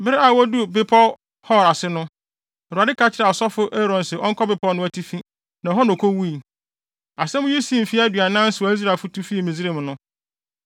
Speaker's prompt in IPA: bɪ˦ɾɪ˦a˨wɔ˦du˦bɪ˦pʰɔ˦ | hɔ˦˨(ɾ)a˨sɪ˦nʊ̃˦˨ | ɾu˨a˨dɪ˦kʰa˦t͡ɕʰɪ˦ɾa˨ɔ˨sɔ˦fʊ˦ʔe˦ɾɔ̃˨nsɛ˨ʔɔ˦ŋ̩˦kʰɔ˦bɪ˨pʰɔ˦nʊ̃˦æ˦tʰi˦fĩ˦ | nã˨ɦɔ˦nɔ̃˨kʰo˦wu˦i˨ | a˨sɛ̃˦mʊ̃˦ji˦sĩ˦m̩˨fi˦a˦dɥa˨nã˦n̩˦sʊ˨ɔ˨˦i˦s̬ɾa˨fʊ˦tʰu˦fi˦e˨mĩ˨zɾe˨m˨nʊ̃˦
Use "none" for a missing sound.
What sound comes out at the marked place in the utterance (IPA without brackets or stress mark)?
ɾ